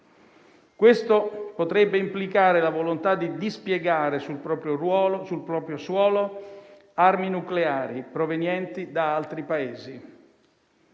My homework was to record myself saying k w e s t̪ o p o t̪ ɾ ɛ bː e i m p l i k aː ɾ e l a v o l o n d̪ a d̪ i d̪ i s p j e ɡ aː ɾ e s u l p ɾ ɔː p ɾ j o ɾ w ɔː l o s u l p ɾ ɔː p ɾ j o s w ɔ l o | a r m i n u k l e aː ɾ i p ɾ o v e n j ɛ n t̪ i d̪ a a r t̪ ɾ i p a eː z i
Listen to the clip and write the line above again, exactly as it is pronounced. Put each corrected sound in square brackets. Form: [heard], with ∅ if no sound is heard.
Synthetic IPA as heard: k w e s t̪ o p o t̪ ɾ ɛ bː e i m p l i k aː ɾ e l a v o l o n [t̪] a d̪ i d̪ i s p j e ɡ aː ɾ e s u l p ɾ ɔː p ɾ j o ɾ w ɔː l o s u l p ɾ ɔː p ɾ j o s w [ɔː] l o | a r m i n u k l e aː ɾ i p ɾ o v e n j ɛ n t̪ i d̪ a a [l] t̪ ɾ i p a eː z i